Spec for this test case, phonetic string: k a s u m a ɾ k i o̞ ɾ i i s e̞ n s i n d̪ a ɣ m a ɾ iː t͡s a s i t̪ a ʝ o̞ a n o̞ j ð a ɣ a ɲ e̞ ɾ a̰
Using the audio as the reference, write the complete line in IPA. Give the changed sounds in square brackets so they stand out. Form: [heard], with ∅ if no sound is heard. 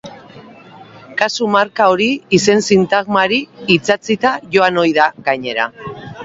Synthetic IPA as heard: k a s u m a ɾ k [a] o̞ ɾ i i s e̞ n s i n [t̪] a ɣ m a ɾ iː t͡s a [t͡s] i t̪ a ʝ o̞ a n o̞ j ð a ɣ a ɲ e̞ ɾ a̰